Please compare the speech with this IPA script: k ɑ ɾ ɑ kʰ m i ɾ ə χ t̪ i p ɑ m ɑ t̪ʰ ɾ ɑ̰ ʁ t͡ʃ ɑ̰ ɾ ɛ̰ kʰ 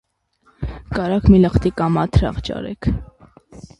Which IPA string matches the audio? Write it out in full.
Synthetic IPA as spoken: k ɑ ɾ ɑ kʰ m i l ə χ t̪ i k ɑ m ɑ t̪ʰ ɾ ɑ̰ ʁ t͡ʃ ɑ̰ ɾ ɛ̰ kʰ